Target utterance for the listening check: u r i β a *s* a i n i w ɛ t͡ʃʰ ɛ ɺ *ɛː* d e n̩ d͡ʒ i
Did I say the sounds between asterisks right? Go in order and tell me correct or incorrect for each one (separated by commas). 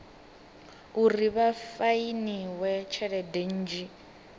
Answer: incorrect, incorrect